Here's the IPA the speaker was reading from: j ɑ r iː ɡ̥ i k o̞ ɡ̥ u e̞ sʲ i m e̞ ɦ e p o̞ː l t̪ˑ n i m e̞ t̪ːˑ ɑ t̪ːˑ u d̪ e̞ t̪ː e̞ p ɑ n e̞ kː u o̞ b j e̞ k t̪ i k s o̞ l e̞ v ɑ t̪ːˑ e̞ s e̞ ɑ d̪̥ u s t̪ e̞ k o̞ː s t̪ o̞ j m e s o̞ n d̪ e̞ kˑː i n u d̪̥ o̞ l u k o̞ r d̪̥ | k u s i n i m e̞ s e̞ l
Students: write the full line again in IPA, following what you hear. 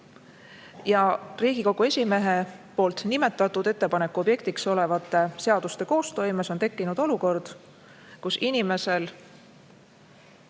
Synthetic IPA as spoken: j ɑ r iː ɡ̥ i k o̞ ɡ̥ u e̞ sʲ i m e̞ ɦ e p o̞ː l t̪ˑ n i m e̞ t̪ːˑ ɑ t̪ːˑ u d̪ e̞ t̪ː e̞ p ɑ n e̞ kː u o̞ b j e̞ k t̪ i k s o̞ l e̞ v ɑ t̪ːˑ e̞ s e̞ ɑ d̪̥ u s t̪ e̞ k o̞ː s t̪ o̞ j m e s o̞ n t̪ e̞ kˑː i n u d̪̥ o̞ l u k o̞ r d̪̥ | k u s i n i m e̞ s e̞ l